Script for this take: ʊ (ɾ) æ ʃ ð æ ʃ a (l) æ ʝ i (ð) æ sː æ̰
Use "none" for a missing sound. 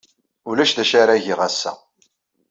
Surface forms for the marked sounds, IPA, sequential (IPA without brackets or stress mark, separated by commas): l, ɾ, ʁ